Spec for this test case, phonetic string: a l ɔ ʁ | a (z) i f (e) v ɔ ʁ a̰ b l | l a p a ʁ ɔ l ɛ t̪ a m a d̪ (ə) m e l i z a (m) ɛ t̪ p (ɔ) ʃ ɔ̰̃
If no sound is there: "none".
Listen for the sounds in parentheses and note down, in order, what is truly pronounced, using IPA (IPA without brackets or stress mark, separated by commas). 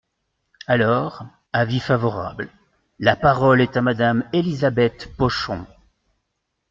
v, a, a, b, ɔ